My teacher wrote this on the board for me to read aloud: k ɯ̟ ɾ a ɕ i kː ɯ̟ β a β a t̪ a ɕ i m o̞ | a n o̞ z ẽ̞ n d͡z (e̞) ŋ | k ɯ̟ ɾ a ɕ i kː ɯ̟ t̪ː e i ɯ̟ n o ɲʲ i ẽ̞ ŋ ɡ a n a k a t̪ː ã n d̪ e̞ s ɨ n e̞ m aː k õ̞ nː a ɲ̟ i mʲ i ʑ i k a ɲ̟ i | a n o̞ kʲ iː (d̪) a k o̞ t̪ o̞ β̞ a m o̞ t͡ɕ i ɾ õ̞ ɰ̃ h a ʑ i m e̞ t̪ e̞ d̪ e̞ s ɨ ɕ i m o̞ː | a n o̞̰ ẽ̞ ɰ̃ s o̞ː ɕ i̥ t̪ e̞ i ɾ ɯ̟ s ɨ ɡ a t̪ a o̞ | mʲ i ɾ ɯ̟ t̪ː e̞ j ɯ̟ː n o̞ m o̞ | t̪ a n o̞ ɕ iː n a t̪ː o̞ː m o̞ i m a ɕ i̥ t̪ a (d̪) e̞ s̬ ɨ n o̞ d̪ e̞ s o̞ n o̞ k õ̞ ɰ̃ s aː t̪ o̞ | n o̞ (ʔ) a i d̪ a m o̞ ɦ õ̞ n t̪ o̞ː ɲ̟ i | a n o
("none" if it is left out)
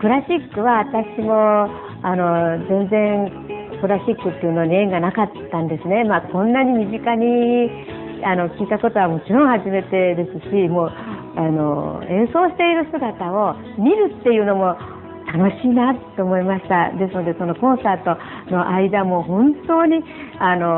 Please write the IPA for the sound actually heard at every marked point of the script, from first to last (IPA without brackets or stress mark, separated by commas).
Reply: ẽ̞, t̪, d̪, ʔ